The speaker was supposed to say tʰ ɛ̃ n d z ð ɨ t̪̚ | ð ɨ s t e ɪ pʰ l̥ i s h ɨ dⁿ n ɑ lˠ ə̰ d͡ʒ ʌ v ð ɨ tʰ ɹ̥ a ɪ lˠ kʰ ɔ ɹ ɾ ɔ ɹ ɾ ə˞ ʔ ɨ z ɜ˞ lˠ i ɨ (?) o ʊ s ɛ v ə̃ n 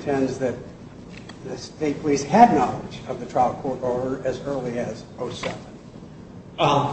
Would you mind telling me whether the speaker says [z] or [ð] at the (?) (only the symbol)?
z